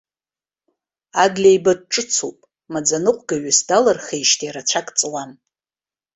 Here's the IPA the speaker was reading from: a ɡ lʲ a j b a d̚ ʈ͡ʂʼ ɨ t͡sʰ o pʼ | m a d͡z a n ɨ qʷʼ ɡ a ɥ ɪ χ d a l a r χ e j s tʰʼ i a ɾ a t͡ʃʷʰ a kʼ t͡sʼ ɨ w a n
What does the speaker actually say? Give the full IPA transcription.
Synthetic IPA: a ɡ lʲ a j b a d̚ ʈ͡ʂʼ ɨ t͡sʰ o pʼ | m a d͡z a n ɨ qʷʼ ɡ a ɥ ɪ s d a l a r χ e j ʃ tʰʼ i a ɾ a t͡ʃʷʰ a kʼ t͡sʼ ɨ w a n

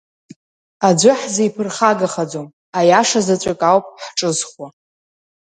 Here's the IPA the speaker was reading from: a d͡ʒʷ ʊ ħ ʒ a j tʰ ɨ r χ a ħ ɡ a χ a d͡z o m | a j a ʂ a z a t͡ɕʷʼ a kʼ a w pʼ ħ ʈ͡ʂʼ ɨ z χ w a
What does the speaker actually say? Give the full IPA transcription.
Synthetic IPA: a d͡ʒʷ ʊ ħ z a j pʰ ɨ r χ a ɡ a χ a d͡z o m | a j a ʂ a z a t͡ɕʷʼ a kʼ a w pʼ ħ ʈ͡ʂʼ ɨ z χ w a

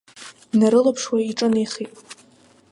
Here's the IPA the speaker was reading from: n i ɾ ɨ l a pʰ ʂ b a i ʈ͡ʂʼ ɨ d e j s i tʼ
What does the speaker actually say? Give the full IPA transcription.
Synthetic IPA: n a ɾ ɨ l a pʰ ʂ w a i ʈ͡ʂʼ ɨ n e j χ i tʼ

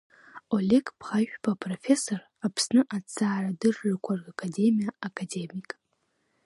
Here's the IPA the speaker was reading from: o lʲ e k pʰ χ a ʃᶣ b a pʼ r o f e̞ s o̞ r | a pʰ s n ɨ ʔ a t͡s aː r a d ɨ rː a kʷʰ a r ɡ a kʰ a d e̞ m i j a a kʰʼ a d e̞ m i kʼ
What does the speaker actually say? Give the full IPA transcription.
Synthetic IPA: o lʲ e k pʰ χ a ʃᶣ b a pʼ r o f e̞ s o̞ r | a pʰ s n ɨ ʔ a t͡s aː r a d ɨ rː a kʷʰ a r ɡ a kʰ a d e̞ m i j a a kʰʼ a d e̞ m i kʼ

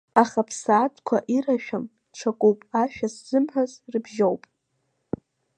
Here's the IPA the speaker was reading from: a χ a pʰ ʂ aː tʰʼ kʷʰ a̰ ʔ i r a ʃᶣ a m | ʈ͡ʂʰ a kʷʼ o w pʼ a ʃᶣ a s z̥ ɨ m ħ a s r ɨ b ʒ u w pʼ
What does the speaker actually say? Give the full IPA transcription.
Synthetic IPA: a χ a pʰ s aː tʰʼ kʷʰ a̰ ʔ i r a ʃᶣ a m | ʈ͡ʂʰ a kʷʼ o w pʼ a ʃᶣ a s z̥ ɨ m ħ a z r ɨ b ʒ o w pʼ

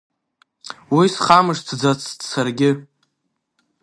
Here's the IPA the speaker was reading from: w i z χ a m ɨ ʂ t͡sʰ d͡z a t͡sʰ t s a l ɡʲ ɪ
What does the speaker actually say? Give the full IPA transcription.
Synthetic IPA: w i s χ a m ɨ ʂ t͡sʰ d͡z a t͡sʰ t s a r ɡʲ ɪ

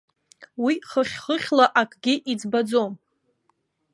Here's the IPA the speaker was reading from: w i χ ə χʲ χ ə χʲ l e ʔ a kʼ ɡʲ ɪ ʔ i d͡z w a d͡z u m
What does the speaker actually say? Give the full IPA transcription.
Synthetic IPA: w i χ ə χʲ χ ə χʲ l a ʔ a kʼ ɡʲ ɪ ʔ i d͡z b a d͡z o m

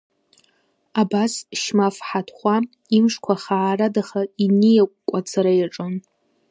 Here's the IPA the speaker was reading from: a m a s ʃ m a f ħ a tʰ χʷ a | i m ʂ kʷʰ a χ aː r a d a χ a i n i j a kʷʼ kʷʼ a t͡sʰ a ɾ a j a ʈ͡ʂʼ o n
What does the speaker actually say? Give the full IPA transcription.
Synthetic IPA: a b a s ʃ m a f ħ a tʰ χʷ a | i m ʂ kʷʰ a χ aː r a d a χ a i n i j a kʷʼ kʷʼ a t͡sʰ a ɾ a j a ʈ͡ʂʼ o n

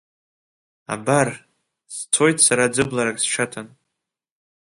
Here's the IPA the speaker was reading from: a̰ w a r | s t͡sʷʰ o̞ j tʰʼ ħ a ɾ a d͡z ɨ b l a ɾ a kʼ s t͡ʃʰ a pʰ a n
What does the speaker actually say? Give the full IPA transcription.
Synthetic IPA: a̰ b a r | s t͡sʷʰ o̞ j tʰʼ s a ɾ a d͡z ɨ b l a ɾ a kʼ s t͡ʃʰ a tʰ a n

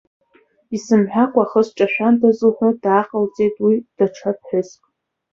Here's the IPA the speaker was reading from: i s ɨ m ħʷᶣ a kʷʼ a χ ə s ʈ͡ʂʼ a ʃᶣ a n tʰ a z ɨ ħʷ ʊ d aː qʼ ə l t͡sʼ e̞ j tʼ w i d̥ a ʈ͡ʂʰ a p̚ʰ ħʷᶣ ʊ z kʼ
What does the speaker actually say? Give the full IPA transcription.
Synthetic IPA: i s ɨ m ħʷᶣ a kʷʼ a χ ə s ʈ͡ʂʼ a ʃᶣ a n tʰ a z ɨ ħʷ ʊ d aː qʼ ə l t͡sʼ e̞ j tʼ w i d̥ a ʈ͡ʂʰ a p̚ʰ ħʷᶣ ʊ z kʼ

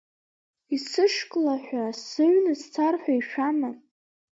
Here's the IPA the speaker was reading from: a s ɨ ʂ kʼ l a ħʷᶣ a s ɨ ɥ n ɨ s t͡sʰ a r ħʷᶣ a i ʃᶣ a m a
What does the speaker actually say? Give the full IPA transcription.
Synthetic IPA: i s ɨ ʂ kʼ l a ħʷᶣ a s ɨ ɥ n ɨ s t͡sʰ a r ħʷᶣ a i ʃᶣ a m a

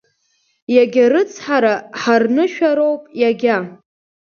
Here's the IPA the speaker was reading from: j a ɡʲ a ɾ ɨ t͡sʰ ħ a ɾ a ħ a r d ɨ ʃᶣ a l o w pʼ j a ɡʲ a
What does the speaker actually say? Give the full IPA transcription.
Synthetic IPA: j a ɡʲ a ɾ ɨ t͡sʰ ħ a ɾ a ħ a r n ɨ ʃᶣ a ɾ o w pʼ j a ɡʲ a

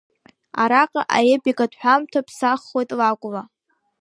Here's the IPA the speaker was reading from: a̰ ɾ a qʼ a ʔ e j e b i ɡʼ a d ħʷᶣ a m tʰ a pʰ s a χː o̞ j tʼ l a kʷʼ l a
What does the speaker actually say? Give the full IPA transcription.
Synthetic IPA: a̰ ɾ a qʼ a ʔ a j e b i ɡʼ a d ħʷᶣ a m tʰ a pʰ s a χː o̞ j tʼ l a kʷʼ l a

